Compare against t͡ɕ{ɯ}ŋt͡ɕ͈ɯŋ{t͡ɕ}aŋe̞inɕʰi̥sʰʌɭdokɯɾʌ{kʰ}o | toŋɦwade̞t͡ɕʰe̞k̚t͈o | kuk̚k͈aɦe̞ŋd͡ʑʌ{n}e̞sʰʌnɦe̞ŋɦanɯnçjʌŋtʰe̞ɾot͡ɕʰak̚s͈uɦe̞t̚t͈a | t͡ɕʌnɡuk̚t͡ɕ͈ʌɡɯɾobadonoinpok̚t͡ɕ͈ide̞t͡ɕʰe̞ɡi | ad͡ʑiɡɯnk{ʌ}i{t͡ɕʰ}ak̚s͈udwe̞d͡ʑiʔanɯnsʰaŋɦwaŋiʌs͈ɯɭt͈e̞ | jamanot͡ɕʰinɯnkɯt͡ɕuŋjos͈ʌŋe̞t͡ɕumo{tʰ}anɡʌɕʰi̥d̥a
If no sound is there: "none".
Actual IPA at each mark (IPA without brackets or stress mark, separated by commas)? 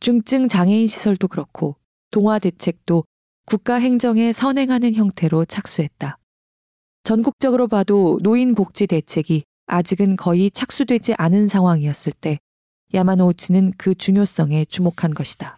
u, t͡ɕ, kʰ, ŋ, ʌ, t͡ɕʰ, kʰ